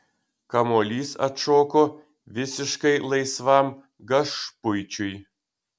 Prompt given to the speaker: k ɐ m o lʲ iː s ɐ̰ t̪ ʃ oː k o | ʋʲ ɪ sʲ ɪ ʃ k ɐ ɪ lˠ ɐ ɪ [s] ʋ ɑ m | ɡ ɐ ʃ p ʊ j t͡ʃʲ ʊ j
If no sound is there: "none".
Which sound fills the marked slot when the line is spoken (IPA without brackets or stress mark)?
s